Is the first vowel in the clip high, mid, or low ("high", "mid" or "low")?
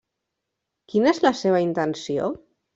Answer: high